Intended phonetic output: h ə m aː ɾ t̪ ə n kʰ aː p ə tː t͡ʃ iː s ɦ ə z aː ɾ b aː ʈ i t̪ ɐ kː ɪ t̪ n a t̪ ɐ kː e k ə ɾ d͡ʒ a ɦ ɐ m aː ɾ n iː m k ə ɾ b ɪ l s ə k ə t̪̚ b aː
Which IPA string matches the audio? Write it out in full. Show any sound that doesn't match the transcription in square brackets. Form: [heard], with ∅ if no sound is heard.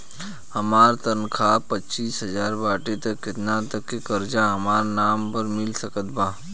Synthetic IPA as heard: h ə m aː ɾ t̪ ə n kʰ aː p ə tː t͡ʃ iː s ɦ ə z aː ɾ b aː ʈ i t̪ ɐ kː ɪ t̪ n a t̪ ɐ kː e k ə ɾ d͡ʒ a ɦ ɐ m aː ɾ n [aː] m [p] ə ɾ [m] ɪ l s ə k ə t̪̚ b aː

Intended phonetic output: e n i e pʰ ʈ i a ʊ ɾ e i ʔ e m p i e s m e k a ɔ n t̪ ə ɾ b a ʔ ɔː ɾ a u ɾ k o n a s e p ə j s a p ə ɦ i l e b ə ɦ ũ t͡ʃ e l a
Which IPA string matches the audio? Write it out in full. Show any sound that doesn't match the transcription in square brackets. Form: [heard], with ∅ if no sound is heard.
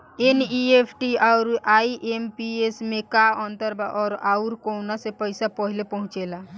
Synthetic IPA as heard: e n i e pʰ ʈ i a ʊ ɾ [a] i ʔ e m p i e s m e k a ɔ n t̪ ə ɾ b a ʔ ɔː ɾ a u ɾ k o n a s e p ə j s a p ə ɦ i l e [p] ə ɦ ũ t͡ʃ e l a

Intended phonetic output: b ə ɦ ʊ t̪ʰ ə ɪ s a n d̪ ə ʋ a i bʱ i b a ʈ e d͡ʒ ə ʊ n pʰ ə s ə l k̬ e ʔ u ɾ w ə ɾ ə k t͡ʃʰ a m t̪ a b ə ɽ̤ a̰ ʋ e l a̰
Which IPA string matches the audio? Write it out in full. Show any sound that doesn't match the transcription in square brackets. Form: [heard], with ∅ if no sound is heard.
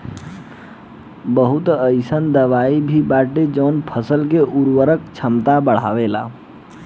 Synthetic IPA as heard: b ə ɦ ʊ [t̪] ə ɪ s [ə] n d̪ ə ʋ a i bʱ i b a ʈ e d͡ʒ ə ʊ n pʰ ə s ə l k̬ e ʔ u ɾ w ə ɾ ə k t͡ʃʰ [ə] m t̪ a b ə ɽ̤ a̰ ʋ e l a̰

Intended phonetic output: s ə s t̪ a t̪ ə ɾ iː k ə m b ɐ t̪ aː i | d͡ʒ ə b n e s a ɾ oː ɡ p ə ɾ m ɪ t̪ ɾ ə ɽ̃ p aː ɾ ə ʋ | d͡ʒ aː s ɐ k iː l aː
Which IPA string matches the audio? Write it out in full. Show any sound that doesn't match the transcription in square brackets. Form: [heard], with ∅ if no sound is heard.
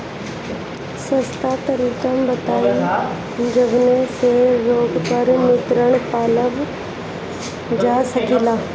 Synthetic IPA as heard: s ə s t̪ a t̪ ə ɾ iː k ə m b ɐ t̪ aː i | d͡ʒ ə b n e s [e] ɾ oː ɡ p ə ɾ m ɪ t̪ ɾ ə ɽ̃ p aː [l] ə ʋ | d͡ʒ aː s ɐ k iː l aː

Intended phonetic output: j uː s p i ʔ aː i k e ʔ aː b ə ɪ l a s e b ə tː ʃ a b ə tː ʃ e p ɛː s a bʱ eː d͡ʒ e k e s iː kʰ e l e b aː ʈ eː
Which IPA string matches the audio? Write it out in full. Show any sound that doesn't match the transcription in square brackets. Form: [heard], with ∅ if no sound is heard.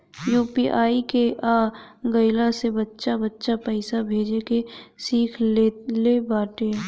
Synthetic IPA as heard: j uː [∅] p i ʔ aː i k e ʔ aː [ɡ] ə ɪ l a s e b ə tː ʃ a b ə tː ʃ [a] p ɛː s a bʱ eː d͡ʒ e k e s iː kʰ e l e b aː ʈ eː

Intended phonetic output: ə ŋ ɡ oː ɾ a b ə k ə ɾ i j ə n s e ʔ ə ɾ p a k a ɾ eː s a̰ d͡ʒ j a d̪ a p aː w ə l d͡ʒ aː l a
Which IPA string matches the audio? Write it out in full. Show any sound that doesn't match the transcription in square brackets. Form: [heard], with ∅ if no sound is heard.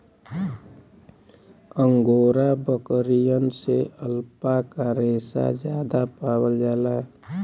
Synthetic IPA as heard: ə ŋ ɡ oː ɾ a b ə k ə ɾ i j ə n s e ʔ ə [l] p a k a ɾ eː s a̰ d͡ʒ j a d̪ a p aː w ə l d͡ʒ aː l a

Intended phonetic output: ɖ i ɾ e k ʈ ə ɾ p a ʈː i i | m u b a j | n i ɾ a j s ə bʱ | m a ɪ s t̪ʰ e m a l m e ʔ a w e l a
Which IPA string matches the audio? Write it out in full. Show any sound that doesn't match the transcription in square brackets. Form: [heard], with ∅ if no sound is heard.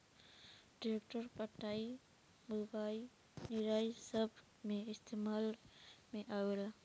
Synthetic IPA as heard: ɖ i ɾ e k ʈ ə ɾ p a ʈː [a] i | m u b a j | n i ɾ a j s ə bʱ | m [e] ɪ s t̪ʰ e m a l m e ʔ a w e l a

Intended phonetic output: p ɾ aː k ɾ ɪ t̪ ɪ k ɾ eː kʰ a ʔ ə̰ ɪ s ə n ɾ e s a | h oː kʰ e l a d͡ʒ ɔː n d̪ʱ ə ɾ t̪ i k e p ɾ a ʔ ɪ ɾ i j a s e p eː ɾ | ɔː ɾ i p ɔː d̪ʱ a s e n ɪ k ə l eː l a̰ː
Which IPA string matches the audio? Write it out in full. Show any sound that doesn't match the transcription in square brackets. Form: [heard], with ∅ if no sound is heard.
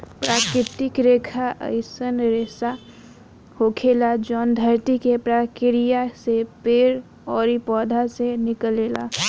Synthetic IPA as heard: p ɾ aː k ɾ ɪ t̪ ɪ k ɾ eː kʰ a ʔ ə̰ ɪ s ə n ɾ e s a | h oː kʰ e l a d͡ʒ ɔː n d̪ʱ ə ɾ t̪ i k e p ɾ a [k] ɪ ɾ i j a s e p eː ɾ | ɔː ɾ i p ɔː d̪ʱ a s e n ɪ k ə l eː l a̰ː

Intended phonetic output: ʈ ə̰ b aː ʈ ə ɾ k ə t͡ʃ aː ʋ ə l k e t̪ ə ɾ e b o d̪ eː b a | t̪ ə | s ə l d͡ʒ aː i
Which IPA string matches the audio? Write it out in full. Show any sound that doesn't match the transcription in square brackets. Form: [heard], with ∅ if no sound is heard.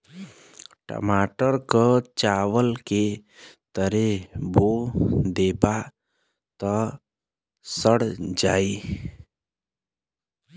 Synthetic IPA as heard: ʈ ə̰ [m] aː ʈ ə ɾ k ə t͡ʃ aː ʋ ə l k e t̪ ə ɾ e b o d̪ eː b a | t̪ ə | s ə [ɽ] d͡ʒ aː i

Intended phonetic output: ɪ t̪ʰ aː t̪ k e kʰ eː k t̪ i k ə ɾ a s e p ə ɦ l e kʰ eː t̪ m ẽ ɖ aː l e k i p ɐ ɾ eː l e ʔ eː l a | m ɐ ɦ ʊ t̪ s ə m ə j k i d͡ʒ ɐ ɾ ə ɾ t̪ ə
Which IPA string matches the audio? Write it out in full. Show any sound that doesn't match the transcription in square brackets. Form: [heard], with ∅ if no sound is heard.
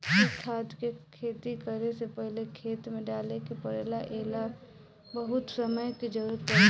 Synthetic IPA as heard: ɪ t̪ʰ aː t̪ k e kʰ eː [∅] t̪ i k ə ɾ [e] s e p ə ɦ l e kʰ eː t̪ m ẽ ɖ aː l e k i p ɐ ɾ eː l [a] ʔ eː l a | [b] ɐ ɦ ʊ t̪ s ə m ə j k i d͡ʒ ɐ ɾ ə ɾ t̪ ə

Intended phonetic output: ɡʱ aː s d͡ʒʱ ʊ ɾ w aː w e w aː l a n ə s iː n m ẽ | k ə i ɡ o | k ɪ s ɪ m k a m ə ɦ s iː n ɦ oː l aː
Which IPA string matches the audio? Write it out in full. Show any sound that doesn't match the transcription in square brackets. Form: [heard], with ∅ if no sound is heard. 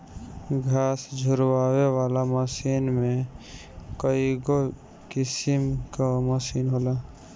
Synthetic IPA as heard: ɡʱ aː s d͡ʒʱ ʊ ɾ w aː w e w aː l a [m] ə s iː n m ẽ | k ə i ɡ o | k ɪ s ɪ m k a m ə [∅] s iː n ɦ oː l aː

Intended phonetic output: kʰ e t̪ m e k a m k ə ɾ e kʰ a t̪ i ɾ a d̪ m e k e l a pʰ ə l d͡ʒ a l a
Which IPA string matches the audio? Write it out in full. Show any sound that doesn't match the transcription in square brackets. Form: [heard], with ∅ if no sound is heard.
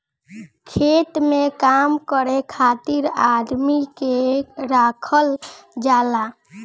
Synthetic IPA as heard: kʰ e t̪ m e k a m k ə ɾ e kʰ a t̪ i ɾ a d̪ m [i] k e [ɾ] a [kʰ] ə l d͡ʒ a l a

